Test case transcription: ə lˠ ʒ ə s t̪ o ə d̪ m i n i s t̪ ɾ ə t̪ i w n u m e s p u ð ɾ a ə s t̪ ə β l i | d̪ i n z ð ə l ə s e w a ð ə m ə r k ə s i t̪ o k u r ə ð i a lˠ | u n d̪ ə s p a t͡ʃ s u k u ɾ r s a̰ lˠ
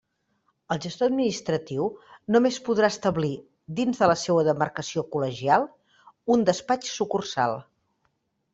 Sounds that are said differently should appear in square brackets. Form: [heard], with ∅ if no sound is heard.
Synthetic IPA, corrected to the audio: ə lˠ ʒ ə s t̪ o ə d̪ m i n i s t̪ ɾ ə t̪ i w n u m e s p u ð ɾ a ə s t̪ ə β l i | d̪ i n z ð ə l ə s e w [ə] ð ə m ə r k ə s i [∅] o k u [l] ə [ʒ] i a lˠ | u n d̪ ə s p a t͡ʃ s u k u [∅] r s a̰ lˠ